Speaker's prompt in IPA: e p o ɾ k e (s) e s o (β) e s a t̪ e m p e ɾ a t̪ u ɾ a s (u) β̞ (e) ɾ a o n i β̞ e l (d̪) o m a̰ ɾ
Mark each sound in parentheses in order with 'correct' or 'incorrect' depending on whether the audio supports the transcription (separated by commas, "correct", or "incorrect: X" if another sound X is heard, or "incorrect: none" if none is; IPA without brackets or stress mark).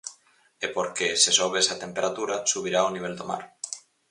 correct, correct, correct, incorrect: i, correct